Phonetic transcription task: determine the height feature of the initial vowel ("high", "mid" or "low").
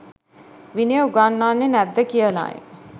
high